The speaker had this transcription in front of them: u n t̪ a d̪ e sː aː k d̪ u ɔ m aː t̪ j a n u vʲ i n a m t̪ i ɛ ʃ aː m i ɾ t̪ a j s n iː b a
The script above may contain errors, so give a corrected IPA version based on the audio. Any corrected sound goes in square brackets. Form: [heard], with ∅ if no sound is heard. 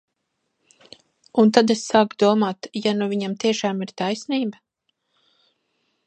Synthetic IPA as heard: u n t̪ a d̪ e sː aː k d̪ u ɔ m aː t̪ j a n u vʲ i [ɲ] a m t̪ i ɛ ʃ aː m i ɾ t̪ a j s n iː b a